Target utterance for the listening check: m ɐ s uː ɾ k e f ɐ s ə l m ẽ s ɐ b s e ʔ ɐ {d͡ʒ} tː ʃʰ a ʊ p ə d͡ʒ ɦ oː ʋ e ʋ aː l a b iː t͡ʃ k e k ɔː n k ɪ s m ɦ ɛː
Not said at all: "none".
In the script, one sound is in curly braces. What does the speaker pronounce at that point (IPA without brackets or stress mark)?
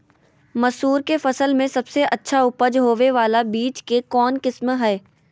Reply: none